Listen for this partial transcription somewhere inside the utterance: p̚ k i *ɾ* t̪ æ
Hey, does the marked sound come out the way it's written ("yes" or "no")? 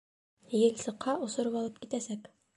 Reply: no